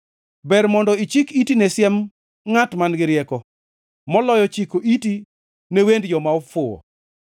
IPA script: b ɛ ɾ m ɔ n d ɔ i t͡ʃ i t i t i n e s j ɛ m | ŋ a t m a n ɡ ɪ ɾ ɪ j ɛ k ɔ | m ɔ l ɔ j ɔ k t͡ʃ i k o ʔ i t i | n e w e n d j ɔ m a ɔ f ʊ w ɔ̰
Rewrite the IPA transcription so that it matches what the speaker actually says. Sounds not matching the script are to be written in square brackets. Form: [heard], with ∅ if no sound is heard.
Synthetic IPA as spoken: b ɛ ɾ m ɔ n d ɔ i t͡ʃ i [k] i t i n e s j ɛ m | ŋ a t m a n ɡ ɪ ɾ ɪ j ɛ k ɔ | m ɔ l ɔ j ɔ [∅] t͡ʃ i k o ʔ i t i | n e w e n d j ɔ m a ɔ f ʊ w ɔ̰

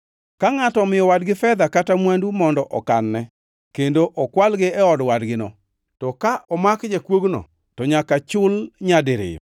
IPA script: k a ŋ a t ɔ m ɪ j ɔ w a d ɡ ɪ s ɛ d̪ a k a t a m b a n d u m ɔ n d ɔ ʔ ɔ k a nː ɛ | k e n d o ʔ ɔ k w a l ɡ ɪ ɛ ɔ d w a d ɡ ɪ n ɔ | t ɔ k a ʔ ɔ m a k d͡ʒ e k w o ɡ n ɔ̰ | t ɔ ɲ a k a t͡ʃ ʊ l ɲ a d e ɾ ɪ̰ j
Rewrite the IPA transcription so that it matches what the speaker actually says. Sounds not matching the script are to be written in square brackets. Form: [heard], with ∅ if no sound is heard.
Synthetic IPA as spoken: k a ŋ a t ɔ m ɪ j ɔ w a d ɡ ɪ [f] ɛ d̪ a k a t a m [w] a n d u m ɔ n d ɔ ʔ ɔ k a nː ɛ | k e n d o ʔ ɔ k w a l ɡ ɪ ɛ ɔ d w a d ɡ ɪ n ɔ | t ɔ k a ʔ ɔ m a k d͡ʒ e k w o ɡ n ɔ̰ | t ɔ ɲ a k a t͡ʃ ʊ l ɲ a d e ɾ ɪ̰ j

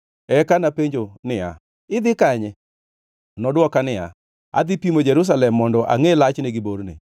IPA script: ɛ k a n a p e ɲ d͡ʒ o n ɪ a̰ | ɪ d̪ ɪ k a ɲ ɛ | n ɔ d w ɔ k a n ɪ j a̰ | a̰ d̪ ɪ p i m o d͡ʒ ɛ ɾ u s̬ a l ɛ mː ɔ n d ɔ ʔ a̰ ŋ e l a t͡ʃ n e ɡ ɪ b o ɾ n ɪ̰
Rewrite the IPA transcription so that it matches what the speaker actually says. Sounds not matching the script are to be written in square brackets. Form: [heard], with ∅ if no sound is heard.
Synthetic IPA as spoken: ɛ k a n a p e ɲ d͡ʒ o n ɪ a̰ | ɪ d̪ ɪ k a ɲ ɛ | n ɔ d w ɔ k a n ɪ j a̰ | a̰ d̪ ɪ p i m o d͡ʒ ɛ ɾ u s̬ a l ɛ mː ɔ n d ɔ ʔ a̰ ŋ e l a t͡ʃ n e ɡ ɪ b o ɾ n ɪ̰

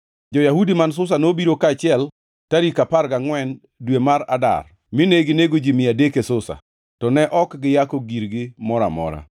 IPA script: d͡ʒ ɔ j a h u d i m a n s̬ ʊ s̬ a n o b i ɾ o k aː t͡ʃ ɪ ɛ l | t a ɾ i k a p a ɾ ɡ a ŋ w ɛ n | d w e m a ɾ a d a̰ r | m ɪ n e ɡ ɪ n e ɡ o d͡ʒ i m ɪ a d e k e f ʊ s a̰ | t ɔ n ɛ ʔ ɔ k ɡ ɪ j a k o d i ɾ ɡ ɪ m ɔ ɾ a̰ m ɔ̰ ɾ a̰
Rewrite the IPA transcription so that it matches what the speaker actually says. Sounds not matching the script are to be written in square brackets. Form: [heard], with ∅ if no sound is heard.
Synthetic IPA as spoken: d͡ʒ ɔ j a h u d i m a n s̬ ʊ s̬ a n o b i ɾ o k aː t͡ʃ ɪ ɛ l | t a ɾ i k a p a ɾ ɡ a ŋ w ɛ n | d w e m a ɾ a d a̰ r | m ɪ n e ɡ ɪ n e ɡ o d͡ʒ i m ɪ a d e k e [s] ʊ s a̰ | t ɔ n ɛ ʔ ɔ k ɡ ɪ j a k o [ɡ] i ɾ ɡ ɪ m ɔ ɾ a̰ m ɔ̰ ɾ a̰

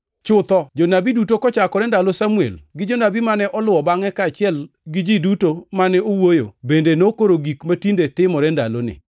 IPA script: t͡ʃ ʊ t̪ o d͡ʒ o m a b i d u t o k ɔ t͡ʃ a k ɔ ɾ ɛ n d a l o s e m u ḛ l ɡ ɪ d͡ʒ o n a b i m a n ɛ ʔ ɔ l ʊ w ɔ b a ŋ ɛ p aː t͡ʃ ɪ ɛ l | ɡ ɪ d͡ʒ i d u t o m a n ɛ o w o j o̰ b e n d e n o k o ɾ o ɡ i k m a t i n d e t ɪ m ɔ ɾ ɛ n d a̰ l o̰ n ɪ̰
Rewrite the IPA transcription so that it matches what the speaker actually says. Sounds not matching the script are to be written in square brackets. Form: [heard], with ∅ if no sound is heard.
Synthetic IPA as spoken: t͡ʃ ʊ t̪ [ɔ] d͡ʒ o [n] a b i d u t o k ɔ t͡ʃ a k ɔ ɾ ɛ n d a l o s [a] m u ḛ l ɡ ɪ d͡ʒ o n a b i m a n ɛ ʔ ɔ l ʊ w ɔ b a ŋ ɛ [k] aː t͡ʃ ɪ ɛ l | ɡ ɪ d͡ʒ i d u t o m a n ɛ o w o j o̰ b e n d e n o k o ɾ o ɡ i k m a t i n d e t ɪ m ɔ ɾ ɛ n d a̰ l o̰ n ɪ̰

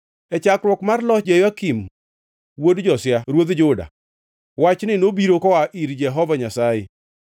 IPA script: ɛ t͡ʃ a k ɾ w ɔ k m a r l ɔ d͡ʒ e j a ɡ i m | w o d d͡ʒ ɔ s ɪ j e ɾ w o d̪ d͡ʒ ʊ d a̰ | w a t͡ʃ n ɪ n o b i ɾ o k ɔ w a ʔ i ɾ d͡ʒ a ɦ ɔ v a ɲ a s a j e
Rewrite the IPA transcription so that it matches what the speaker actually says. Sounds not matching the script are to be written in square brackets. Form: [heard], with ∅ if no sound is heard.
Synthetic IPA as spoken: ɛ t͡ʃ a k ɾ w ɔ k m a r l ɔ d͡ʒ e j a [k] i m | w o d d͡ʒ ɔ s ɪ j [a] ɾ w o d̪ d͡ʒ ʊ d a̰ | w a t͡ʃ n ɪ n o b i ɾ o k ɔ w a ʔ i ɾ d͡ʒ [ɛ] ɦ ɔ v a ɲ a s a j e

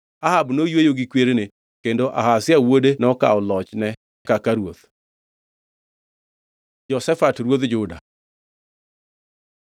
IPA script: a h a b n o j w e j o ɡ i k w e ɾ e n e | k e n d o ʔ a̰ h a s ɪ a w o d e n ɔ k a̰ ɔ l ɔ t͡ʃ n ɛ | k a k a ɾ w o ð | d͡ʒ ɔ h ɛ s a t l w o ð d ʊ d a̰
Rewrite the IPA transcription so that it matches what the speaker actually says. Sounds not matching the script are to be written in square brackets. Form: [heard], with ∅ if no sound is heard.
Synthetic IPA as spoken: a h a b n o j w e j o ɡ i k w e ɾ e n e | k e n d o ʔ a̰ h a s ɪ a w o d e n ɔ k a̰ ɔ l ɔ t͡ʃ n ɛ | k a k a ɾ w o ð | d͡ʒ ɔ [s] ɛ [f] a t [ɾ] w o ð [d͡ʒ] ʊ d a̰

